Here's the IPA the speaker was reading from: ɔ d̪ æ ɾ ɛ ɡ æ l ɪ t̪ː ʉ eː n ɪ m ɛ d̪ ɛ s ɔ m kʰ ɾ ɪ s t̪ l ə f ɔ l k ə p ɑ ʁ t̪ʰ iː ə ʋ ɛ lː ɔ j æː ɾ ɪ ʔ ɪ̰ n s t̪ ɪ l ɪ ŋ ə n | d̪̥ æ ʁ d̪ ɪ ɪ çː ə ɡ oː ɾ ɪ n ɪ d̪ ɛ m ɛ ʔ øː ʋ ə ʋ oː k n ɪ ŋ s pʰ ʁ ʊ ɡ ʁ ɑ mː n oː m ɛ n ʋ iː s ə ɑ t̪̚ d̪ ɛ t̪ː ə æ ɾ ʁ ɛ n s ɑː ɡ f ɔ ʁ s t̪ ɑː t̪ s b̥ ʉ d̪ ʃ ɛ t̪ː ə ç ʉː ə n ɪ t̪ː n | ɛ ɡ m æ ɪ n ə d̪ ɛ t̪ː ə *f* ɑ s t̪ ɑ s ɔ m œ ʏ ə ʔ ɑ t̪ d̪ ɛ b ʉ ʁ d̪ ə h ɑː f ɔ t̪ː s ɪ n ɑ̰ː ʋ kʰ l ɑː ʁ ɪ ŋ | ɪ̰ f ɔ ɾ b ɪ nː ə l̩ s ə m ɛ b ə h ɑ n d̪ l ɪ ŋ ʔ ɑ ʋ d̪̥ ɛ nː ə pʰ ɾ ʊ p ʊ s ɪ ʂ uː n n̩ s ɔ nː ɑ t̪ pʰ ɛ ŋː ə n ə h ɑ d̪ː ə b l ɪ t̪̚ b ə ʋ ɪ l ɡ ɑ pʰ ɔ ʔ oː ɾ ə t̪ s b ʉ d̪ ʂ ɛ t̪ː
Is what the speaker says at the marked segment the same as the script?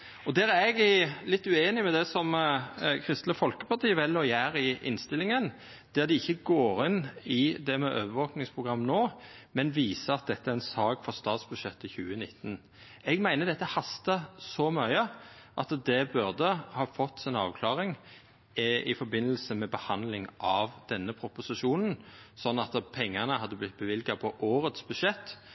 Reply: no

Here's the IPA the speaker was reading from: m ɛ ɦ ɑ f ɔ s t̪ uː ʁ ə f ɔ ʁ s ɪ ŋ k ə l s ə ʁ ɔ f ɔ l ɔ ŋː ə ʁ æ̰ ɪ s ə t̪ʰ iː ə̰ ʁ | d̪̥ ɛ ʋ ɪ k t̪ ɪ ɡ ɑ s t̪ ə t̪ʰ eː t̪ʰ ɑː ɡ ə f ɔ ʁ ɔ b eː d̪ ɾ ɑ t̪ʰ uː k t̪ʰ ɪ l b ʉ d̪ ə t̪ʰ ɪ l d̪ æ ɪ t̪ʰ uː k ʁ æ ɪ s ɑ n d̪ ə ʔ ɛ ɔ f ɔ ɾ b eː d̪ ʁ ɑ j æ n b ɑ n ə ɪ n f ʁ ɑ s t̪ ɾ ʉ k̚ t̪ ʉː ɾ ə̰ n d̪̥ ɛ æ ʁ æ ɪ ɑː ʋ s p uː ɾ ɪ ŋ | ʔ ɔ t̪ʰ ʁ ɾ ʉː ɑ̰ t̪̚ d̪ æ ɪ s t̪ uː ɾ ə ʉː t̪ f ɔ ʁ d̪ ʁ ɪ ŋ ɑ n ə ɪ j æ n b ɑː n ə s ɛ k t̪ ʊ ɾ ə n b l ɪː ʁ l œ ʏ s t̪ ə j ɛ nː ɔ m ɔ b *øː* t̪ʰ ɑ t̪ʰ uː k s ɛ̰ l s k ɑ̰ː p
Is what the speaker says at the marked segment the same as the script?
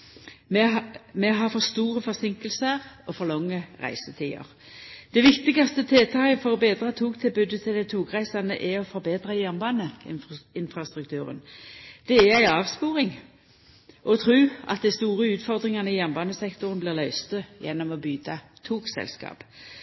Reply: no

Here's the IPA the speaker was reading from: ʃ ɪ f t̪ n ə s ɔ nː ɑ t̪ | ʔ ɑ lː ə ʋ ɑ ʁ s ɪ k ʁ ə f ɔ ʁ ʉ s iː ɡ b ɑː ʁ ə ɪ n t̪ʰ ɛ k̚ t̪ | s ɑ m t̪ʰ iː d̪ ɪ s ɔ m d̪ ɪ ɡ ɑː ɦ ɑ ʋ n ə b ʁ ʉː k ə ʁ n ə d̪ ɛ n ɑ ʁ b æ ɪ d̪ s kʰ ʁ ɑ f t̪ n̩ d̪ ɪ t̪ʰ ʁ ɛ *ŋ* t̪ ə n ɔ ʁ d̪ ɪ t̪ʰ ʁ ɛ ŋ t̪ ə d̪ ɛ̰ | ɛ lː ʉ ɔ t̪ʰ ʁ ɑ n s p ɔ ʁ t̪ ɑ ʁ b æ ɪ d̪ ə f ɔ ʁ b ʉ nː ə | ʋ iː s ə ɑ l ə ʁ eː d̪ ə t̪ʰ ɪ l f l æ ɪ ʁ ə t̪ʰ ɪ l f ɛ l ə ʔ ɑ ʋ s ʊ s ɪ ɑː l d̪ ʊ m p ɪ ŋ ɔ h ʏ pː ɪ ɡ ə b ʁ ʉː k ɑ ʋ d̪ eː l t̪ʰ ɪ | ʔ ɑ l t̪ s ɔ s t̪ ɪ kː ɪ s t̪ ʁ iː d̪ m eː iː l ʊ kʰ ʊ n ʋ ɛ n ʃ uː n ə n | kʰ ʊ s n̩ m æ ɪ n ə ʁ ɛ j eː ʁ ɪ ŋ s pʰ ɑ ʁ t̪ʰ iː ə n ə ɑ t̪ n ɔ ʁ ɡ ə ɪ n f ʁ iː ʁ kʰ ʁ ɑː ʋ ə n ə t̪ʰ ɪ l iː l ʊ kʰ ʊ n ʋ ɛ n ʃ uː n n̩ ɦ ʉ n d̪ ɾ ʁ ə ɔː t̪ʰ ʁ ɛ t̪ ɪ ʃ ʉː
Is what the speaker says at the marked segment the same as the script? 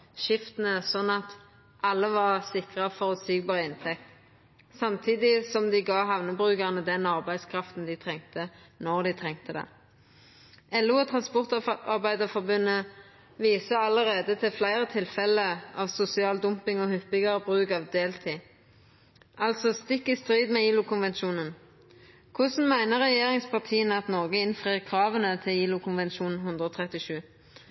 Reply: yes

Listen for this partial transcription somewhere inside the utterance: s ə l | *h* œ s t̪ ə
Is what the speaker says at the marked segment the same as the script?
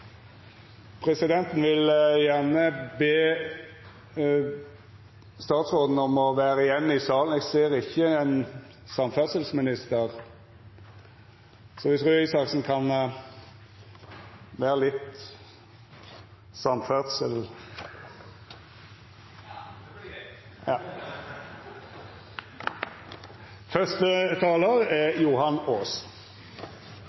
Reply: no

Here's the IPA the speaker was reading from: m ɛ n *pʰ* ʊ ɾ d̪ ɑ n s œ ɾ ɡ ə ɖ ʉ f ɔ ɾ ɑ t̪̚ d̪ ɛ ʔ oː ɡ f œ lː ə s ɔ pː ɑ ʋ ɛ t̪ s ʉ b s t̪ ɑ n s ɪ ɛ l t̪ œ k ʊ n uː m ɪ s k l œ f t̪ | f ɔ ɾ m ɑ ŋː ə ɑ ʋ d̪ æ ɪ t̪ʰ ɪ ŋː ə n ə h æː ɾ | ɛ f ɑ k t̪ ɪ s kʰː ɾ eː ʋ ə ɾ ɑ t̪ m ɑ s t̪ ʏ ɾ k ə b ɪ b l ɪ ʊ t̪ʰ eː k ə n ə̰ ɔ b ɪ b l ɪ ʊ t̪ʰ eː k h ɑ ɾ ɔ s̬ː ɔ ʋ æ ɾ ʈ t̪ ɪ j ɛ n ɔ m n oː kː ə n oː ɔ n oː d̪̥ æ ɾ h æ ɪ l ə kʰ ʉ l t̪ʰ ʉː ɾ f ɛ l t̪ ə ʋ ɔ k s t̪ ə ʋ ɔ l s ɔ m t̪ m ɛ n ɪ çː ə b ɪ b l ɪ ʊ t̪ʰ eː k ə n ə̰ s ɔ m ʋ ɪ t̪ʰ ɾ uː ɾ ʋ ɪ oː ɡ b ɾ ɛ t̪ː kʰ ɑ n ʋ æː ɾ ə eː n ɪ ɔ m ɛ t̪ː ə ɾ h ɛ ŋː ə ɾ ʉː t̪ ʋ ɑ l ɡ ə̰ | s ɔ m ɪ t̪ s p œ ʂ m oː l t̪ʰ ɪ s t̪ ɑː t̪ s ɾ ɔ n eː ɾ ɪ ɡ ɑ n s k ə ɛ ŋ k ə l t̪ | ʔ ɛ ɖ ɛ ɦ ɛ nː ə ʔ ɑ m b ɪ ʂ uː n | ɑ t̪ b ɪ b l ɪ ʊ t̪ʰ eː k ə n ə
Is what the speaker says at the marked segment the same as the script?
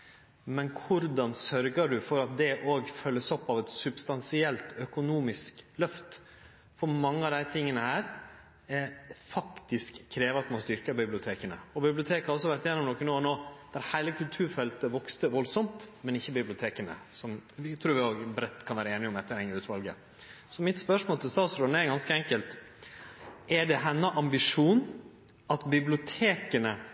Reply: no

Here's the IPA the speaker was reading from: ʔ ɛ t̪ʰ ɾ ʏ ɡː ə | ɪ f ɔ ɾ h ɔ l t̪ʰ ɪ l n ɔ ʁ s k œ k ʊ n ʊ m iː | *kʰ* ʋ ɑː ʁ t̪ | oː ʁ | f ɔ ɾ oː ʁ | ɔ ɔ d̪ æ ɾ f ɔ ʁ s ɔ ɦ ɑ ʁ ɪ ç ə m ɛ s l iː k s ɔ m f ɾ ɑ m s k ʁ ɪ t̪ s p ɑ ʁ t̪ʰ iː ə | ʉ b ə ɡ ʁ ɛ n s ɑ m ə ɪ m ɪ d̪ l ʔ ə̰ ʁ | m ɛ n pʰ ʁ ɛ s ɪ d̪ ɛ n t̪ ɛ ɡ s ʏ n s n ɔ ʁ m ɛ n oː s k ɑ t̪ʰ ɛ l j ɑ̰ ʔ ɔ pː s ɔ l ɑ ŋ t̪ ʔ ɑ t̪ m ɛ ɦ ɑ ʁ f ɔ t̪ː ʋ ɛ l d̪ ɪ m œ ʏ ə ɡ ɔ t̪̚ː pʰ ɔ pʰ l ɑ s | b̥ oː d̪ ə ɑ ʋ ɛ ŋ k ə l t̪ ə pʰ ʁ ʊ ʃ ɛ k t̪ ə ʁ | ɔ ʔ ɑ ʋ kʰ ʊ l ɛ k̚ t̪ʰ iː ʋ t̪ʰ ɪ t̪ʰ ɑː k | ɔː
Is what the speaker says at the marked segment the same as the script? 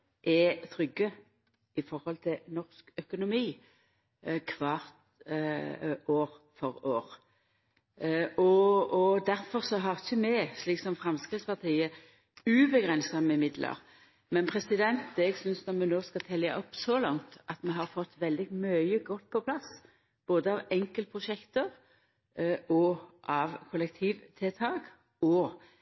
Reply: yes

